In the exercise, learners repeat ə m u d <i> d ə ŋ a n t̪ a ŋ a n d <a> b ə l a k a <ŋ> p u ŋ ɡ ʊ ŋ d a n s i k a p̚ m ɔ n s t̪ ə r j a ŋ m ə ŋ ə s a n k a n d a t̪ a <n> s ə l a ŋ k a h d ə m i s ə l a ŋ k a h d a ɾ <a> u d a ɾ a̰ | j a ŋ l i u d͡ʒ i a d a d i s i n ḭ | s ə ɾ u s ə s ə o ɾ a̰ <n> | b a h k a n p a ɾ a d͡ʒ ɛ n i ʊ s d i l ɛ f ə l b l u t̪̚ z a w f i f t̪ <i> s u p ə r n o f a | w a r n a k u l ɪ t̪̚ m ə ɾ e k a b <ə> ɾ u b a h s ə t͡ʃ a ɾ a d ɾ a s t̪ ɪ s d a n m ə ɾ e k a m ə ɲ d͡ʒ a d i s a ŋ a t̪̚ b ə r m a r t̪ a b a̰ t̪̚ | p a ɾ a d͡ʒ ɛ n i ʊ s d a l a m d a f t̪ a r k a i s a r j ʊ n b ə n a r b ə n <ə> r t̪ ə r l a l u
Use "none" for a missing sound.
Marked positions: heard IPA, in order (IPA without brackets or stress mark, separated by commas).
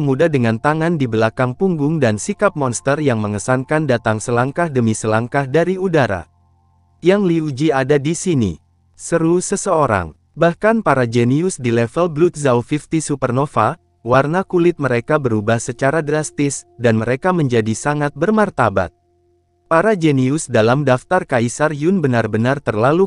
a, i, ŋ, ŋ, i, ŋ, i, ə, a